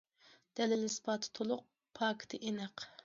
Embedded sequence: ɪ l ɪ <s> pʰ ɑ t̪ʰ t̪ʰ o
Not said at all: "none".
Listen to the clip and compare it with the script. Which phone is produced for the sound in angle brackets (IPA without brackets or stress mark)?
s